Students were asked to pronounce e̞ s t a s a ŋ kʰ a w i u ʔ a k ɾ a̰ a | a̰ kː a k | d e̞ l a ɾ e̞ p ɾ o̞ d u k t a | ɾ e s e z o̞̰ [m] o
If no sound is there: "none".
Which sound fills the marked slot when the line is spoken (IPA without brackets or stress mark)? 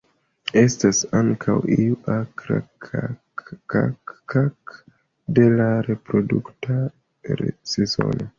n